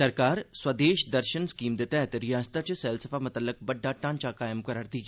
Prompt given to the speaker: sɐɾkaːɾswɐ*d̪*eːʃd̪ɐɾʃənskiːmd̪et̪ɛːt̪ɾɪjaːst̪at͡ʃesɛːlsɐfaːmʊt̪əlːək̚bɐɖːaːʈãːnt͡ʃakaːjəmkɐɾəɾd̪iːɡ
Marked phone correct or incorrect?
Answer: correct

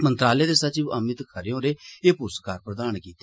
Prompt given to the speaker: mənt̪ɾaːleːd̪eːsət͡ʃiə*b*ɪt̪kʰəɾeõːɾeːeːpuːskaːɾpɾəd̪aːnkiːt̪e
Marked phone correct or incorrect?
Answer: incorrect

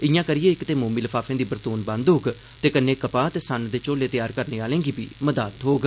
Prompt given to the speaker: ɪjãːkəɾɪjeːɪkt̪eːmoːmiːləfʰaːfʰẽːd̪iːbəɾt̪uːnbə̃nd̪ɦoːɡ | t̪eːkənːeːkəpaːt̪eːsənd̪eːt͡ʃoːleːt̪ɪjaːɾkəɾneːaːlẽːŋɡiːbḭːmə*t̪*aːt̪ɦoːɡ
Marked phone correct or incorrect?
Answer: incorrect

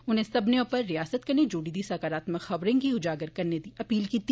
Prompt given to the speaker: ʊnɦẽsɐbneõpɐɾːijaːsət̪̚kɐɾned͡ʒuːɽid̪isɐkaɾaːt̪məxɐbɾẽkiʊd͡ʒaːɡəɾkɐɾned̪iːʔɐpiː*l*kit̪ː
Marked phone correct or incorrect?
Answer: correct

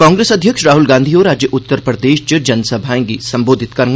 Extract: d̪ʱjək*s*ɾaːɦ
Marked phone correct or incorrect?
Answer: incorrect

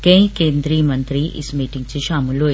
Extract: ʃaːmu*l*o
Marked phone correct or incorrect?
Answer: correct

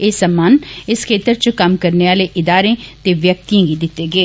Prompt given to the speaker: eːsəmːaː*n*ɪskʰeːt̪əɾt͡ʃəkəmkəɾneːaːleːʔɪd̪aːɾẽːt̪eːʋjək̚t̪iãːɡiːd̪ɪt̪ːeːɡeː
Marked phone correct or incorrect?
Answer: correct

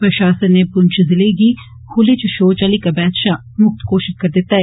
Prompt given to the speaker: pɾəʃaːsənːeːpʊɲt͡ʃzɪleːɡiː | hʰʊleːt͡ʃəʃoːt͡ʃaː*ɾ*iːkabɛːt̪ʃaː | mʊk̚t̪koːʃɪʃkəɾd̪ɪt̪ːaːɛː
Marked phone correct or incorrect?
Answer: incorrect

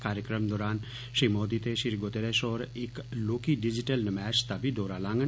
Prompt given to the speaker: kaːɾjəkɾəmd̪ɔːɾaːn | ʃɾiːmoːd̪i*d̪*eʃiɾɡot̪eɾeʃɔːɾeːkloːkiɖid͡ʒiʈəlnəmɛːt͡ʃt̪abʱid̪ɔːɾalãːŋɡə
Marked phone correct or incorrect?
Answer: incorrect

